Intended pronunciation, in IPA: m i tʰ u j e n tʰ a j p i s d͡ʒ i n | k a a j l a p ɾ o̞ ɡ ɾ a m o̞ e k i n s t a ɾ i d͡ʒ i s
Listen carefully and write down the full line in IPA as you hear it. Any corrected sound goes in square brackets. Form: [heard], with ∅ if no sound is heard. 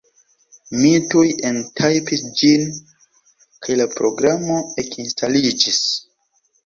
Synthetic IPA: m i [t] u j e n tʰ a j p i s d͡ʒ i n | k a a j l a p ɾ o̞ ɡ ɾ a m o̞ e k i n s t a [l] i d͡ʒ i s